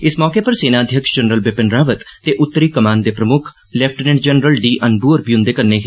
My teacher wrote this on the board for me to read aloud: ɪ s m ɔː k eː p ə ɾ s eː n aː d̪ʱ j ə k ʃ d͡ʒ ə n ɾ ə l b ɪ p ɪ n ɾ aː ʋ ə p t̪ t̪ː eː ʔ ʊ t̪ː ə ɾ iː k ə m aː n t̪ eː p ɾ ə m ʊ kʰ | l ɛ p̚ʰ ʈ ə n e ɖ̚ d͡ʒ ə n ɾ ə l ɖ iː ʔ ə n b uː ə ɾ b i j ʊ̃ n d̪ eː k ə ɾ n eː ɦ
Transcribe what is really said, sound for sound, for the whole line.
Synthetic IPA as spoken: ɪ s m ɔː k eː p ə ɾ s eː n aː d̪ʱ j ə k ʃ d͡ʒ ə n ɾ ə l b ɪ p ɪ n ɾ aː ʋ ə t̪ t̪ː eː ʔ ʊ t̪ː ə ɾ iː k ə m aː n d̪ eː p ɾ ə m ʊ kʰ | l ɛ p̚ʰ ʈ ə n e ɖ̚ d͡ʒ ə n ɾ ə l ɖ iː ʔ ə n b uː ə ɾ b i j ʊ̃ n d̪ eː k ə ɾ n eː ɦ